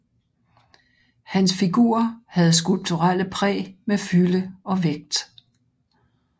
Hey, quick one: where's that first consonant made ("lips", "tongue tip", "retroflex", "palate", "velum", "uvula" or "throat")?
throat